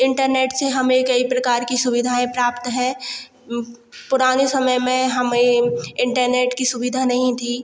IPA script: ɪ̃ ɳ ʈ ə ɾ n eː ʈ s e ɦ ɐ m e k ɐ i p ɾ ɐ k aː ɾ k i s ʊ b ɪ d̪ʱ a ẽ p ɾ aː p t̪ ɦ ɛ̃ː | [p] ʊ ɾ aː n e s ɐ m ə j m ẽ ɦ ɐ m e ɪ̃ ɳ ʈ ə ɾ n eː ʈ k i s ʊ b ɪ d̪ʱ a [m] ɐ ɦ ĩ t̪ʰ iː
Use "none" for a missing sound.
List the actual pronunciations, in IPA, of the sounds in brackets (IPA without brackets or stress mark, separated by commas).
p, n